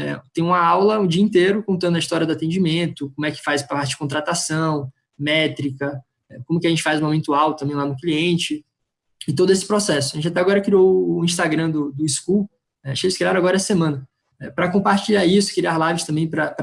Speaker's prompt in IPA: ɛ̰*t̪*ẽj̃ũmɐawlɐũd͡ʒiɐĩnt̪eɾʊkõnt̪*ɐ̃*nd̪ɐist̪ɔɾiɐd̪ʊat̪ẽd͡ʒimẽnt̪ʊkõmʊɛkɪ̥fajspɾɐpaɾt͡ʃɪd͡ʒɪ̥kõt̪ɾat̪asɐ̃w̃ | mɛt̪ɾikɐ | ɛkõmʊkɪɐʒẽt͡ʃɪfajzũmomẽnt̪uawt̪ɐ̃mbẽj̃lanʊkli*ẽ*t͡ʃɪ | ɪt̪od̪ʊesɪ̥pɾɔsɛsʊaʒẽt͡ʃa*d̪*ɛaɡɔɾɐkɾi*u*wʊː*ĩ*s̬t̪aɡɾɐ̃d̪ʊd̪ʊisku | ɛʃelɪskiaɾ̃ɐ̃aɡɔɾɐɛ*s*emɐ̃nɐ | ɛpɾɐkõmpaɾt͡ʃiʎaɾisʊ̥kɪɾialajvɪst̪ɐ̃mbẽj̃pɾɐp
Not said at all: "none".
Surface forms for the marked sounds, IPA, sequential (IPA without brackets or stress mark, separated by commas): t̪, ɐ̃, ẽ, t̪, o, ĩ, s